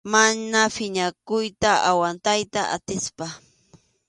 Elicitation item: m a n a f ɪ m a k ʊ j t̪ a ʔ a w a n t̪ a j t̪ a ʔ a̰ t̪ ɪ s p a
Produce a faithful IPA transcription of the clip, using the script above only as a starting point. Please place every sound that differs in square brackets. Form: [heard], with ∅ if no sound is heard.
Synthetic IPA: m a n a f ɪ [ɲ] a k ʊ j t̪ a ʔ a w a n t̪ a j t̪ a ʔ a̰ t̪ ɪ s p a